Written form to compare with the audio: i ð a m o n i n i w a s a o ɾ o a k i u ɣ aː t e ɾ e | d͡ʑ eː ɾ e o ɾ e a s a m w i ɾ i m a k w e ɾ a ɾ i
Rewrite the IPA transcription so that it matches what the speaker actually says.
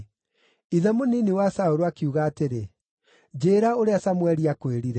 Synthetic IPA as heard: i ð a m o n i n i w a s a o ɾ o a k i u ɣ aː t e ɾ e | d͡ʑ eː ɾ a o ɾ e a s a m w ɛ ɾ i a k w e ɾ i ɾ ɛ